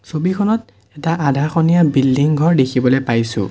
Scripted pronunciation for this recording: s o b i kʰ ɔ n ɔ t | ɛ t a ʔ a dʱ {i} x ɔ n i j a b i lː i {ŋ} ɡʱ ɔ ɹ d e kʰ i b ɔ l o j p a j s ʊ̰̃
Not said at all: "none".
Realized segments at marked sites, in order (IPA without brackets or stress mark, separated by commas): a, ŋ